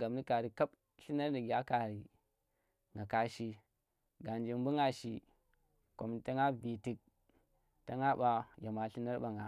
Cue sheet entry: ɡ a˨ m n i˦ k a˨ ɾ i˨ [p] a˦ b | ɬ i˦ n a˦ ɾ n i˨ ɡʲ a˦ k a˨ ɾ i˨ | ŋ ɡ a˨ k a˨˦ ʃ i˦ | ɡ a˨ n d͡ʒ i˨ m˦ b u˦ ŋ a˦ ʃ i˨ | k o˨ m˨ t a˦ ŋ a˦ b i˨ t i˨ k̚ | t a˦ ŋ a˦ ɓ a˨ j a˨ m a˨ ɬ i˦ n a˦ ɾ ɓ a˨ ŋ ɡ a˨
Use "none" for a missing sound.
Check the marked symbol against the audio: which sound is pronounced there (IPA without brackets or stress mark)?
k